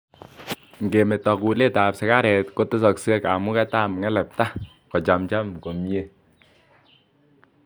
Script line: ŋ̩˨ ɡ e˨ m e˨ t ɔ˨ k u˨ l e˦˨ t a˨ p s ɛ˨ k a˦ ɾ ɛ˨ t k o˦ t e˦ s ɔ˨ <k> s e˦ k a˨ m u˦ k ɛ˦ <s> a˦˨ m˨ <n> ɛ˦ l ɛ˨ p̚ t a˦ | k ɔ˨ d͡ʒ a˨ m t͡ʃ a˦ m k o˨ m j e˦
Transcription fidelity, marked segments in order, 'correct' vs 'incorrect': correct, incorrect, incorrect

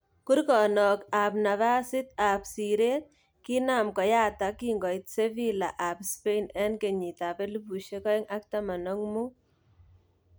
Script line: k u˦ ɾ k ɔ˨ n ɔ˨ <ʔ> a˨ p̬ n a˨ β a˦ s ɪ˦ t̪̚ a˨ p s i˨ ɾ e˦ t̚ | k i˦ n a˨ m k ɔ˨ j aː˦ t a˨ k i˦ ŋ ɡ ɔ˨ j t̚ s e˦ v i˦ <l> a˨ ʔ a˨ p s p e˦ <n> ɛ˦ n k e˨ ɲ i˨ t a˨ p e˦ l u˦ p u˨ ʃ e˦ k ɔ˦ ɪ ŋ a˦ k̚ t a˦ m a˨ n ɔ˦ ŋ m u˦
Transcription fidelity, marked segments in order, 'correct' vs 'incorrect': incorrect, correct, correct

